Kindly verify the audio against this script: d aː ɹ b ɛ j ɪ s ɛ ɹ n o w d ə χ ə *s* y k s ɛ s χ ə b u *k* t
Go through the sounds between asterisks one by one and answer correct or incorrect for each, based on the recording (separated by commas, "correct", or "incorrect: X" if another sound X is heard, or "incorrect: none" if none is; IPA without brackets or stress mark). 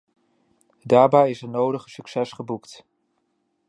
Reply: correct, correct